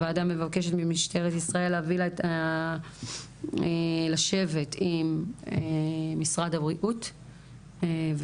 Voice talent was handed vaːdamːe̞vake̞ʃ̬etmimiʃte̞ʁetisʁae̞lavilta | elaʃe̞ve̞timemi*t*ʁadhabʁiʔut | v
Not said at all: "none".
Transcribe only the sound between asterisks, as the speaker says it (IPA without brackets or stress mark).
s